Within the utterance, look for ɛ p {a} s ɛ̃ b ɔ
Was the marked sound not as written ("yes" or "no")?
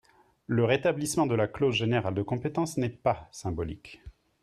no